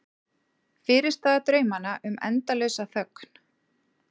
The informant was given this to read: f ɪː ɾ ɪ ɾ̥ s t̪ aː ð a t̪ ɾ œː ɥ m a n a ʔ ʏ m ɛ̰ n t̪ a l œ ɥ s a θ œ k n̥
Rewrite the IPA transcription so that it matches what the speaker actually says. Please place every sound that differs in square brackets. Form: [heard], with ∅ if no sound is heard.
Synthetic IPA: f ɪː ɾ ɪ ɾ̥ s t̪ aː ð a t̪ ɾ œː ɥ m a n a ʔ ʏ m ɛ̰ n t̪ a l œ ɥ s a θ œ k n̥